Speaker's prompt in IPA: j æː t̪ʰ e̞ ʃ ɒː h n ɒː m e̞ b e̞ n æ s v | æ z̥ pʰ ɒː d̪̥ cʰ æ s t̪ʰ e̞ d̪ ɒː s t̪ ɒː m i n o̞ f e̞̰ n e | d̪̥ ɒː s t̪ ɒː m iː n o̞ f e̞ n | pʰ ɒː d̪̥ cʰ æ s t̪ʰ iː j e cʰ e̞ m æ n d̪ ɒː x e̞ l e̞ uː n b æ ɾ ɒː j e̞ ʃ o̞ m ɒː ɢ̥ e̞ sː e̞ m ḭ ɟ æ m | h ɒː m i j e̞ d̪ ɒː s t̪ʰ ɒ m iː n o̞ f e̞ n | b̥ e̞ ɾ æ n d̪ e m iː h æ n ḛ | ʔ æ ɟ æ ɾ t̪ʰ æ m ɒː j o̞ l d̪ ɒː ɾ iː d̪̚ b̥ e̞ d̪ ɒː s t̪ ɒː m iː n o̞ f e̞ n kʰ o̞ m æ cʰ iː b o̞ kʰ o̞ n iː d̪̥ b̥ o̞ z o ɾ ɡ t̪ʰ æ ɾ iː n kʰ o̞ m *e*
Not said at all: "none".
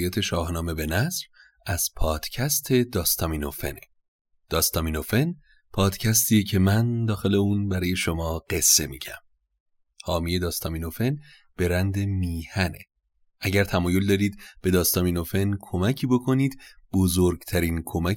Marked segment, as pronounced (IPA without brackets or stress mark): æ